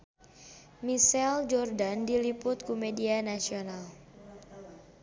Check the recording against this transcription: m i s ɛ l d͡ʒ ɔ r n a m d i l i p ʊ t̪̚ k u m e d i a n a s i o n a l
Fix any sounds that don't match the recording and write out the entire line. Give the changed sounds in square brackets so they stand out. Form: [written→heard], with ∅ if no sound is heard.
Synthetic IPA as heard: m i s ɛ l d͡ʒ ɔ r [n→d] a [m→n] d i l i p ʊ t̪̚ k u m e d i a n a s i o n a l